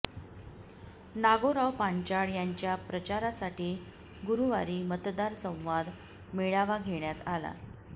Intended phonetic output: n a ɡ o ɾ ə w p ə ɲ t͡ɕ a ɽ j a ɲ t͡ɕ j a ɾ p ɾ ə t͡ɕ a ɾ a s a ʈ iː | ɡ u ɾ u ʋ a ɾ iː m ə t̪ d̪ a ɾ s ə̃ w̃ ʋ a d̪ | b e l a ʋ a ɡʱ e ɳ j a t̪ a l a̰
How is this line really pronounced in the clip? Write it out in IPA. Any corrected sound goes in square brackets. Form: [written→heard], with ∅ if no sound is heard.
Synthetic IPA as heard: n a ɡ o ɾ [ə→a] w p [ə→a] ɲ t͡ɕ a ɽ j a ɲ t͡ɕ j a [ɾ→∅] p ɾ ə t͡ɕ a ɾ a s a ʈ iː | ɡ u ɾ u ʋ a ɾ iː m ə t̪ d̪ a ɾ s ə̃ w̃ ʋ a d̪ | [b→m] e [l→ɭ] a ʋ a ɡʱ e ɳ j a t̪ a l a̰